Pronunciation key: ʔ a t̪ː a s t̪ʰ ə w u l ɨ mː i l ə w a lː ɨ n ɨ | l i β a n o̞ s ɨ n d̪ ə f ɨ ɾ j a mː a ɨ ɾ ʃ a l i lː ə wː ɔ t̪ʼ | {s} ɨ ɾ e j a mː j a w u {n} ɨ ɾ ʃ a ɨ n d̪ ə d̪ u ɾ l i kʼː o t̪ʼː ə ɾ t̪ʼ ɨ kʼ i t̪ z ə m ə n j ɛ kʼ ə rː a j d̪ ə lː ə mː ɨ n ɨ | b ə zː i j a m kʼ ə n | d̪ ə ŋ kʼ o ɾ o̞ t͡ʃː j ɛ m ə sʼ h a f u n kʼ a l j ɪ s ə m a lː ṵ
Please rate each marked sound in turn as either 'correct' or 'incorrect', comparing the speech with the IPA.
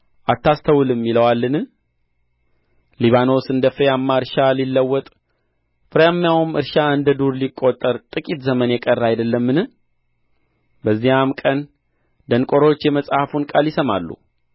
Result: incorrect: f, incorrect: m

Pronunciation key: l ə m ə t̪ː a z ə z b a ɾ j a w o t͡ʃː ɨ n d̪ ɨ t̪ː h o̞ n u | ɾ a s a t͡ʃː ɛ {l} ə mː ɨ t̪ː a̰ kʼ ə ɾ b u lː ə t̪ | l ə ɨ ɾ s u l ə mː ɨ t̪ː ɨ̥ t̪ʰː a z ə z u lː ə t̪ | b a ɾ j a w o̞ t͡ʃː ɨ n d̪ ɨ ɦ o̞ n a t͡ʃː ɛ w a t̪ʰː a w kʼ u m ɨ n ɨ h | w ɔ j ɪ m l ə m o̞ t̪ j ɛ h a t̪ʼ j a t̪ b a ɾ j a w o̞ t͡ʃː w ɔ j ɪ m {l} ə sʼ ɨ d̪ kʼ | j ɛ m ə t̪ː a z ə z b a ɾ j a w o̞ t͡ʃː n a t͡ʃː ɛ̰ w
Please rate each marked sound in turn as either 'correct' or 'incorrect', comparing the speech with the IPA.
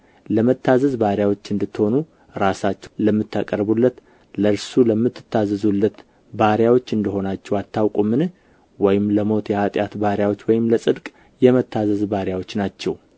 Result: correct, correct

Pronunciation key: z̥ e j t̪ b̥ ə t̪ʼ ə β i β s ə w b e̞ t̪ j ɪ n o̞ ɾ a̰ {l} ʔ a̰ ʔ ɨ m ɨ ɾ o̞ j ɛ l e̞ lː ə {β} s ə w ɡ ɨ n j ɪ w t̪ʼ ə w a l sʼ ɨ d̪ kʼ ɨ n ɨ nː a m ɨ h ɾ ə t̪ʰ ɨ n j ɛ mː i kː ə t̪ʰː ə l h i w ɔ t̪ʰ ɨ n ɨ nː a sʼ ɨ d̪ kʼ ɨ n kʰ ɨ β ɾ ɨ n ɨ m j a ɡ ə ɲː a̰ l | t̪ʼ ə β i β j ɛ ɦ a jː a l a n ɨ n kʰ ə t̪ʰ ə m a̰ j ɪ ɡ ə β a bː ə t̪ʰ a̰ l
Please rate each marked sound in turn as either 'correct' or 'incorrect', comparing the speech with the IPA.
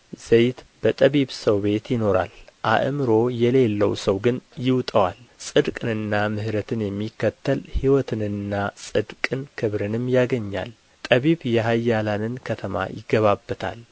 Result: correct, incorrect: w

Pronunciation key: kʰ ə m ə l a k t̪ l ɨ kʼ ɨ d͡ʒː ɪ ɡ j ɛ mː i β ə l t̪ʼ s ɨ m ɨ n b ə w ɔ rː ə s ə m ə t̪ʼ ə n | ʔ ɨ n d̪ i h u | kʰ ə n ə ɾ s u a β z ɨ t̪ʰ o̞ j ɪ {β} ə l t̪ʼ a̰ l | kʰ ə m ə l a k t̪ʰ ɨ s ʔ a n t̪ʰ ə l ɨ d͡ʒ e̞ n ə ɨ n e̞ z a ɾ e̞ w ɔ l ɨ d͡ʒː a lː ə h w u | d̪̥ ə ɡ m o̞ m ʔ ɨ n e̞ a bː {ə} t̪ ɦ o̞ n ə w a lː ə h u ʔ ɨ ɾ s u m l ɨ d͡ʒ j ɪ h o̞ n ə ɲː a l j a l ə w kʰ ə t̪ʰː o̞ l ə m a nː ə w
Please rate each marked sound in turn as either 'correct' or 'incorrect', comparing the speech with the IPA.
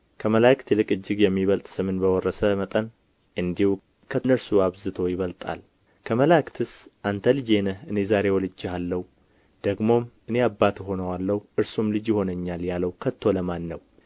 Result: correct, incorrect: a

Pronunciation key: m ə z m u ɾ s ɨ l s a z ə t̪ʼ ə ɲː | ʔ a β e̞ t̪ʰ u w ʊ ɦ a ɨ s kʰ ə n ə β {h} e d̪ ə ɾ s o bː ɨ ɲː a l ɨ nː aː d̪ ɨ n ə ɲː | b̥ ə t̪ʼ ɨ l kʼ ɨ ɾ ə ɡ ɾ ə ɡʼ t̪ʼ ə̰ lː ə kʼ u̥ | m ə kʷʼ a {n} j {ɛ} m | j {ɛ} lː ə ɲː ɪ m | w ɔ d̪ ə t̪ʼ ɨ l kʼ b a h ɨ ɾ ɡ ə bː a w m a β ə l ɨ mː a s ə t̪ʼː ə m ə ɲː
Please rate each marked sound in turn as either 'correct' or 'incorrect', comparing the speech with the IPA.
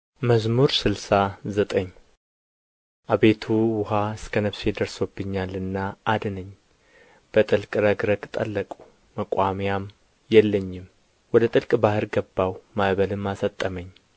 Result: incorrect: s, incorrect: m, incorrect: a, correct

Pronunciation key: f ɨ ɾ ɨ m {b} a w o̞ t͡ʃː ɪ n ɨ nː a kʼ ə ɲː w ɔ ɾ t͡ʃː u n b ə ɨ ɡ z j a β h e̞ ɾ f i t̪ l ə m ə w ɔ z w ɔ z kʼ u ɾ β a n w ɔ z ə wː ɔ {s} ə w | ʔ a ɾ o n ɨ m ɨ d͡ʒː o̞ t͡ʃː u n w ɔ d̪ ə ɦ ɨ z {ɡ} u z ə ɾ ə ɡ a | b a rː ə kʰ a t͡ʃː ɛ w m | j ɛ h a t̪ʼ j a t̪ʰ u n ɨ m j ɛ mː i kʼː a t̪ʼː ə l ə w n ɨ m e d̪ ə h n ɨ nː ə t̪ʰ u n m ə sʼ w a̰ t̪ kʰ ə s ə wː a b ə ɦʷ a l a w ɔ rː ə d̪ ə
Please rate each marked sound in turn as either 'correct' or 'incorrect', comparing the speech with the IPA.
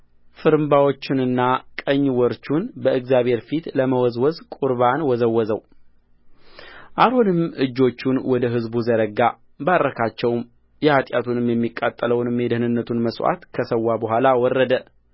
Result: correct, incorrect: z, incorrect: b

